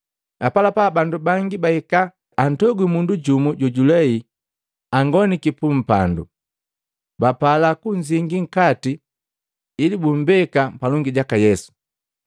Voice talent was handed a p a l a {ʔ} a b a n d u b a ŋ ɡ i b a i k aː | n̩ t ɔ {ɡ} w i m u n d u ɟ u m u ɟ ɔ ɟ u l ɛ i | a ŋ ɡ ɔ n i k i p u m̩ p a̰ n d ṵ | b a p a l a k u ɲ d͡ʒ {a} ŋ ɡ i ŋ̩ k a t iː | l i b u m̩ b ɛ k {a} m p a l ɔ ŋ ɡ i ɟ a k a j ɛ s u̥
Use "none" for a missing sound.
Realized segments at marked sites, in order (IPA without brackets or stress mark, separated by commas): p, ɡ, i, a